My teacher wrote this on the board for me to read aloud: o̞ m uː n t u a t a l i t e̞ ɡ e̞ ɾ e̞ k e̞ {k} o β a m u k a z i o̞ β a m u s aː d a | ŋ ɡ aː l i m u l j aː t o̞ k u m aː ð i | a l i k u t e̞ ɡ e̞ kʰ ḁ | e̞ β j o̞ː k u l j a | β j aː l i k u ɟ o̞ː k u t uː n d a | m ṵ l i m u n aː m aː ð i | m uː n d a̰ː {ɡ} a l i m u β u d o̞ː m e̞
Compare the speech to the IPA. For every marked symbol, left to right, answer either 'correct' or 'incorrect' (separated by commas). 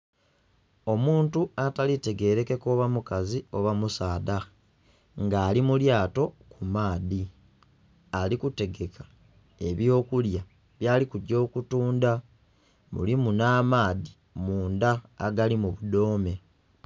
correct, correct